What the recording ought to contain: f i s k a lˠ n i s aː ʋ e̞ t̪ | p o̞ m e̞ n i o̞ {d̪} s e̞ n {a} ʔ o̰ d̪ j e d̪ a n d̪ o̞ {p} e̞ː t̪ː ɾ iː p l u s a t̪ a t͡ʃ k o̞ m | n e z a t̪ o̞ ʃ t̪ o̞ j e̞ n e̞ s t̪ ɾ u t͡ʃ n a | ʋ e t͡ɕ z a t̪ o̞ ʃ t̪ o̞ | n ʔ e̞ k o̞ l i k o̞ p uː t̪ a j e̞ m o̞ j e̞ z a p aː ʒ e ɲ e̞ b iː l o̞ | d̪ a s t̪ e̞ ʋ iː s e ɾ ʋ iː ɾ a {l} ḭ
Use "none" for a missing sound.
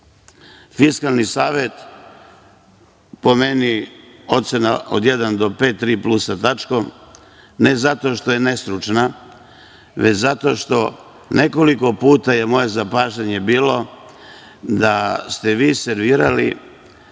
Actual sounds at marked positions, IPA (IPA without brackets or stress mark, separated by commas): t̪, a, p, l